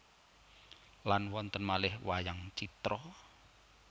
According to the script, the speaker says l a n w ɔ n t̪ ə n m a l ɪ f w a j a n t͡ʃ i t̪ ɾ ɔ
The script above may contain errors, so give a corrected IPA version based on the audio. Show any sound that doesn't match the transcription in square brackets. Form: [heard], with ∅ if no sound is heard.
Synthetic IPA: l a n w ɔ n t̪ ə n m a l ɪ [h] w a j a [ŋ] t͡ʃ i t̪ ɾ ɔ